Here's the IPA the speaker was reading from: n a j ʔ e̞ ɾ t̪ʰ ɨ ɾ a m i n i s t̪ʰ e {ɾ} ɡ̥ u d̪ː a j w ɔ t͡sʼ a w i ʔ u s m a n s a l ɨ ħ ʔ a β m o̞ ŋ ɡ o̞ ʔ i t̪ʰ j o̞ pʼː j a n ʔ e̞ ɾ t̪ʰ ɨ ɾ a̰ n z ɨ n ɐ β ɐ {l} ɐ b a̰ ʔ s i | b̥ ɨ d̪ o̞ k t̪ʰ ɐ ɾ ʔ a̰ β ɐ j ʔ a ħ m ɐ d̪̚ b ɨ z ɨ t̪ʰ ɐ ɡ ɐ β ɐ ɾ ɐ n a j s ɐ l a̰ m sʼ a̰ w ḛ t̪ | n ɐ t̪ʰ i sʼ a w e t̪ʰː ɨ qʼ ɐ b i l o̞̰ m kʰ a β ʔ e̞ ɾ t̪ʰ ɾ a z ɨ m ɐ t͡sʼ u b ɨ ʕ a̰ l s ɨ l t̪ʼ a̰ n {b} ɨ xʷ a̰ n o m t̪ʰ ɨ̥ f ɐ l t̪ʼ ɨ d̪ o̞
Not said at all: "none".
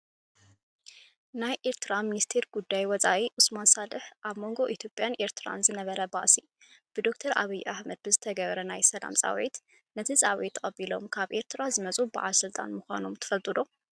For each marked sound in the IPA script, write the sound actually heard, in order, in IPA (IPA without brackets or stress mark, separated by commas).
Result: ɾ, ɾ, m